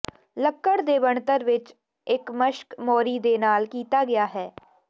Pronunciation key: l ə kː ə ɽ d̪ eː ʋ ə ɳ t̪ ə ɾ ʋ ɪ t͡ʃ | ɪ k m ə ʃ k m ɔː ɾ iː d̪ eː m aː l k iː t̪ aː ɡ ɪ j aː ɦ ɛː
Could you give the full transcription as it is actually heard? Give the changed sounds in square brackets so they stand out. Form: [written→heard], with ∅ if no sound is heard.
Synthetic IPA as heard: l ə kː ə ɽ d̪ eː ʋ ə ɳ t̪ ə ɾ ʋ ɪ t͡ʃ | ɪ k m ə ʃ k m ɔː ɾ iː d̪ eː [m→n] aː l k iː t̪ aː ɡ ɪ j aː ɦ ɛː